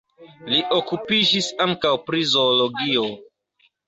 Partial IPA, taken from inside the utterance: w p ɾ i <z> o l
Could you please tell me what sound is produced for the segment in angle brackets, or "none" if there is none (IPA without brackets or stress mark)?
z